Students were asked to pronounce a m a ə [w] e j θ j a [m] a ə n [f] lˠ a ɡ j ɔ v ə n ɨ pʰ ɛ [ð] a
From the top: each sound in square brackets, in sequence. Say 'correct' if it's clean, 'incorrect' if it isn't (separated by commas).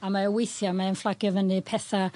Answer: correct, correct, correct, incorrect